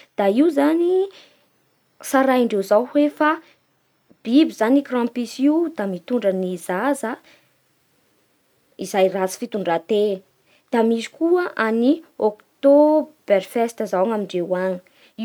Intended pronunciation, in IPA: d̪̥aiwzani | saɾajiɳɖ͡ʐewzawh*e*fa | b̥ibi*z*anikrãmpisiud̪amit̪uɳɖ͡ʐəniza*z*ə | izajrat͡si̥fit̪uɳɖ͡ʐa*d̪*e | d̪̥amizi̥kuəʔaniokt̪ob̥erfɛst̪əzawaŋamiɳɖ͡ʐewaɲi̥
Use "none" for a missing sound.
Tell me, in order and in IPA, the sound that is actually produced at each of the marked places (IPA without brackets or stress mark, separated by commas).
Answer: e, z, z, t̪